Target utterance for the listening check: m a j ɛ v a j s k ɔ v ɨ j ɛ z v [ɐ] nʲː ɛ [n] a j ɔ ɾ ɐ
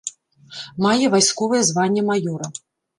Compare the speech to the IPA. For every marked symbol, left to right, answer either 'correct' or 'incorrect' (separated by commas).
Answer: incorrect, incorrect